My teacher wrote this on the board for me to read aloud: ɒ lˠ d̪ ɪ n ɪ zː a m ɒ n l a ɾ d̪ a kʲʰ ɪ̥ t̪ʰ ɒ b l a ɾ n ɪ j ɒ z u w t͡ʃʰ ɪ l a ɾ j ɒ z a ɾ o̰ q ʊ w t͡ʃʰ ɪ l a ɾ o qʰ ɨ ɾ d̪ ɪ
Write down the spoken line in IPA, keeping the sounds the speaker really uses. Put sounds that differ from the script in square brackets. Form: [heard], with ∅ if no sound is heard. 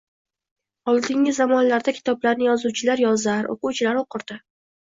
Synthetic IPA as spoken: ɒ lˠ d̪ ɪ [ŋ] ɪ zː a m ɒ n l a ɾ d̪ a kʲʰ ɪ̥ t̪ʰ ɒ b l a ɾ n ɪ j ɒ z u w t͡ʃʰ ɪ l a ɾ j ɒ z a ɾ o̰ q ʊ w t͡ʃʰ ɪ l a ɾ o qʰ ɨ ɾ d̪ ɪ